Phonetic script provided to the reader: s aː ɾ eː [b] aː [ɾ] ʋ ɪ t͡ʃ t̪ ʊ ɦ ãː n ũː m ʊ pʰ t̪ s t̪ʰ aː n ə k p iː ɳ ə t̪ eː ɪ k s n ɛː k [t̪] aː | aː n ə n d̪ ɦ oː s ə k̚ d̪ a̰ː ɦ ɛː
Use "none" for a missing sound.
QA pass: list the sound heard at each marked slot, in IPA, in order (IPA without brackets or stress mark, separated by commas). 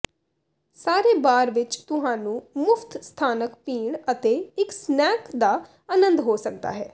b, ɾ, d̪